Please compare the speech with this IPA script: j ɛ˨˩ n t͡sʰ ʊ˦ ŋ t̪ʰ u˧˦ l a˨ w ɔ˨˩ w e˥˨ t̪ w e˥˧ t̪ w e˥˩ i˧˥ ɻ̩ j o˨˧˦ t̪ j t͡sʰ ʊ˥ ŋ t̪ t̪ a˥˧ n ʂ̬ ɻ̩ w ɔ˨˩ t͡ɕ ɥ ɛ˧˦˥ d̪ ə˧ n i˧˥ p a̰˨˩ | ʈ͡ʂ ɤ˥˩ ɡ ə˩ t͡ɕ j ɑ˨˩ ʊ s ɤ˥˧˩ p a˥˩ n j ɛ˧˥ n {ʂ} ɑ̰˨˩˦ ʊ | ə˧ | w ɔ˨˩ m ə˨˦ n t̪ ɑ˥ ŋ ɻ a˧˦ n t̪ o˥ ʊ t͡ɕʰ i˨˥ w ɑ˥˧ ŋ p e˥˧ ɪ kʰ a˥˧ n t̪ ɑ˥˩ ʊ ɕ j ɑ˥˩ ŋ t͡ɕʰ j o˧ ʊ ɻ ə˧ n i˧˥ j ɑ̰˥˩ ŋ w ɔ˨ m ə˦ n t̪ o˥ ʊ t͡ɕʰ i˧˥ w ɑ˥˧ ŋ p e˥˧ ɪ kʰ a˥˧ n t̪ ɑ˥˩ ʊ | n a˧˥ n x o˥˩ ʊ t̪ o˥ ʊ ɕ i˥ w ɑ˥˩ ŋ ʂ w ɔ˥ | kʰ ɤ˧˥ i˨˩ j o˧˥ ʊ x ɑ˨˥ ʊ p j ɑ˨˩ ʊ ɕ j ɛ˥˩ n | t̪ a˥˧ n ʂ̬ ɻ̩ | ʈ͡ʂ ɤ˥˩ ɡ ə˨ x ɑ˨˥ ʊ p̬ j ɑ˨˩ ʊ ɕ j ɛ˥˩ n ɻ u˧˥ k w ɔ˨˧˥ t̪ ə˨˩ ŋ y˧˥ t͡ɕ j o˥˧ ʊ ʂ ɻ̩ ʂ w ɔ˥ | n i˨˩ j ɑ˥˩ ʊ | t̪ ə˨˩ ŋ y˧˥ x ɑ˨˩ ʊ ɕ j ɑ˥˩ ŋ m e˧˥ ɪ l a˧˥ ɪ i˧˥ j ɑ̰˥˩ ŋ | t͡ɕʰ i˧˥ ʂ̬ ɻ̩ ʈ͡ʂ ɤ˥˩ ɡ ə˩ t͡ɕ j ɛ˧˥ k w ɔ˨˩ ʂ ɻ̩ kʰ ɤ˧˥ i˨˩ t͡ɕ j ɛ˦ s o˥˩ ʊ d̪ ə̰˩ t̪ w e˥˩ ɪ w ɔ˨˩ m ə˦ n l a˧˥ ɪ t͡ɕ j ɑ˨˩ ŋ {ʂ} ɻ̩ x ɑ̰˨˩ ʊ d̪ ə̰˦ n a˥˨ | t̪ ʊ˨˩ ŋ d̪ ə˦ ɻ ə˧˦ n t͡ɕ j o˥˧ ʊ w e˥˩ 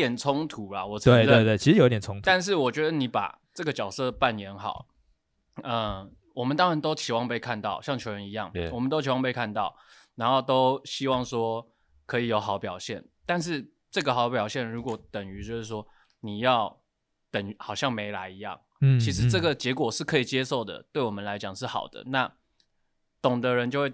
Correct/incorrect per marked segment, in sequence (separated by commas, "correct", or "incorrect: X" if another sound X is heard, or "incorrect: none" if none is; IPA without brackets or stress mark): incorrect: x, correct